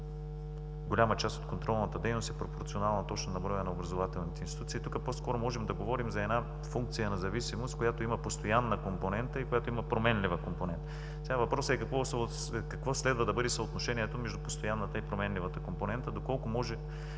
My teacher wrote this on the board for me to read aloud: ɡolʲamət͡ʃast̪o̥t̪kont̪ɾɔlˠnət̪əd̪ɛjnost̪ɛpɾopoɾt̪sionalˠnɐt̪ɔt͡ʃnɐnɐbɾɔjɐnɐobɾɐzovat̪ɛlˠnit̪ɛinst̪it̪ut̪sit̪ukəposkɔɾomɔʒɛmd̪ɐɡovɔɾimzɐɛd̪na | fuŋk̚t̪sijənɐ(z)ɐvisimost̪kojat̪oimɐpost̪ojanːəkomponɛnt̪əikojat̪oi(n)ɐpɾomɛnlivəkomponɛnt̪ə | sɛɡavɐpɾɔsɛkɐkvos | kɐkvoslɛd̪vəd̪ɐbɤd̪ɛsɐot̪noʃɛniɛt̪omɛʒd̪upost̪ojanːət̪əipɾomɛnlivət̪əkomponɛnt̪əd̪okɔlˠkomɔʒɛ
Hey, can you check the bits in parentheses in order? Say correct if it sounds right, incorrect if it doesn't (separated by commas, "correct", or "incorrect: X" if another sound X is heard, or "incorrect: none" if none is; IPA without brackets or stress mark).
correct, incorrect: m